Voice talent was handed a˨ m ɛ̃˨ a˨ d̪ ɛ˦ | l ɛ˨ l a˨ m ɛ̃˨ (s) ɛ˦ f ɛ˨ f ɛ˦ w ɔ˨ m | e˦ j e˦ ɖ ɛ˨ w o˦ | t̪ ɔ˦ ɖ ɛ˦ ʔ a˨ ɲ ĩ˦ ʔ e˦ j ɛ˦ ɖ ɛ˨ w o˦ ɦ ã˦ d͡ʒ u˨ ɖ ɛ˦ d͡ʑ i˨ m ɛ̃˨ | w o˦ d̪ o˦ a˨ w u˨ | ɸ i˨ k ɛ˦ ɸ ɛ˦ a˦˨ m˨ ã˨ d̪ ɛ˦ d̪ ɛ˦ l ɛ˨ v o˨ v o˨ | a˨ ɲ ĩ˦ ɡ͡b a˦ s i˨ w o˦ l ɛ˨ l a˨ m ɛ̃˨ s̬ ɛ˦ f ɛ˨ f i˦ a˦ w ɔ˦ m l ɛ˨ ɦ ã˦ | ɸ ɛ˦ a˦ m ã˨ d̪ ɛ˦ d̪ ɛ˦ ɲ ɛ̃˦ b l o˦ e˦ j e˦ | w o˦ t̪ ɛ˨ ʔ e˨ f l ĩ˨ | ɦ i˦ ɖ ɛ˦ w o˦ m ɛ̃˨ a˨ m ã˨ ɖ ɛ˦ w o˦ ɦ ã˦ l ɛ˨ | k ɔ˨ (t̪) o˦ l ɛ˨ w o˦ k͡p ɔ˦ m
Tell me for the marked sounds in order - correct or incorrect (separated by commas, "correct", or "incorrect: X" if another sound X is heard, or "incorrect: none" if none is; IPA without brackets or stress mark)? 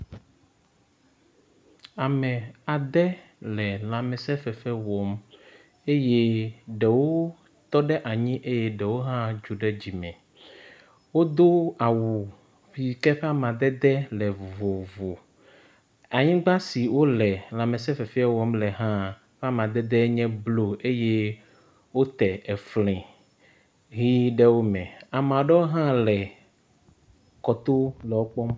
correct, correct